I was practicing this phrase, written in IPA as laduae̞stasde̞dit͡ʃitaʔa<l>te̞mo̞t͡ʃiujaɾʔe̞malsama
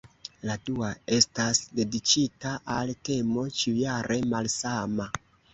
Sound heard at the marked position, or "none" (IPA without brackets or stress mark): l